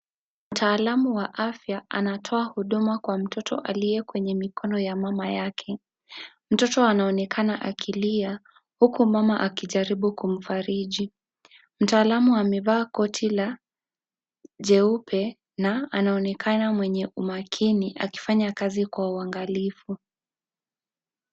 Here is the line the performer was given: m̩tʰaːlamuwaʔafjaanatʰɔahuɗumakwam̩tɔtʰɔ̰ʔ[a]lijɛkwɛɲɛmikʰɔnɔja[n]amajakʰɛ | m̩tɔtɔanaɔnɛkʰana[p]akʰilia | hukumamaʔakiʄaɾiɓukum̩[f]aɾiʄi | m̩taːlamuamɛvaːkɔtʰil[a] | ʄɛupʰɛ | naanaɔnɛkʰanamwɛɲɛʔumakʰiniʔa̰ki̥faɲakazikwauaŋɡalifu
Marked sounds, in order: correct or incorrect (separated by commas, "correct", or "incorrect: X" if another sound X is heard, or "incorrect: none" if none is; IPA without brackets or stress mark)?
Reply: correct, incorrect: m, incorrect: ʔ, correct, correct